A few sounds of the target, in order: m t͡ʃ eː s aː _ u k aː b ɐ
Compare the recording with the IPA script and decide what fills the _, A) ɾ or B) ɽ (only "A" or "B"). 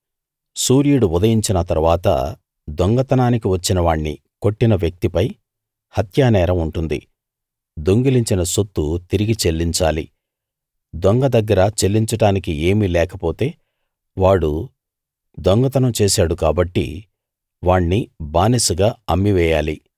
B